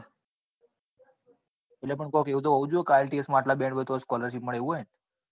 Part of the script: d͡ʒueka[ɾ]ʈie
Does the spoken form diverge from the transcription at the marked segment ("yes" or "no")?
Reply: yes